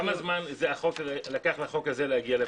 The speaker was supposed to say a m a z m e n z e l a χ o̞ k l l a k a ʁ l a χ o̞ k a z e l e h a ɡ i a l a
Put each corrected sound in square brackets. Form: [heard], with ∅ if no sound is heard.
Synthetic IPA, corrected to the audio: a m a z m [a] n z e [∅] a χ o̞ k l l a k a [χ] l a χ o̞ k a z e l e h a ɡ i a l [e]